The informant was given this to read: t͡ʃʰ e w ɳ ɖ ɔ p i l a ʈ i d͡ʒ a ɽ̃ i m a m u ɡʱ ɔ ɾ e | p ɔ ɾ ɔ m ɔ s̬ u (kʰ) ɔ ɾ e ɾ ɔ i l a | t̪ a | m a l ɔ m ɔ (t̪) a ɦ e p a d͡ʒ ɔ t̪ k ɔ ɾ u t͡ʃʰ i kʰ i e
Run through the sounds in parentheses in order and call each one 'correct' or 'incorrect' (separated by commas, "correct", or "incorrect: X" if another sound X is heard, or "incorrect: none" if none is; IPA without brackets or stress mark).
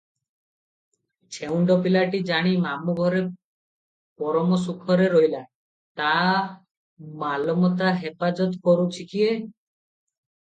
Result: correct, correct